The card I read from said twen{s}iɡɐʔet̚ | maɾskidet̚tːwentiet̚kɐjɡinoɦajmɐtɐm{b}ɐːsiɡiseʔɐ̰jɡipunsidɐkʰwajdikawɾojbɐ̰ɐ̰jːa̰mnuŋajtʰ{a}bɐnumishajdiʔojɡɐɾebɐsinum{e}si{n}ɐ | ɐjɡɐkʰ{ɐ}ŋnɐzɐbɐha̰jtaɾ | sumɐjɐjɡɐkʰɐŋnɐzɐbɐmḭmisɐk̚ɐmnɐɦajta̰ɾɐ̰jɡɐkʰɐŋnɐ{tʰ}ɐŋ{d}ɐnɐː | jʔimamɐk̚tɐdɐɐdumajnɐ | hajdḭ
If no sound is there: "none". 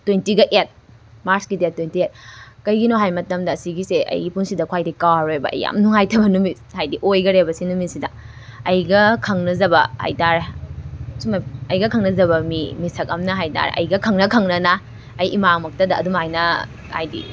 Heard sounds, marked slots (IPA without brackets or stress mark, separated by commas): t, d, ɐ, i, d, ɐ, kʰ, n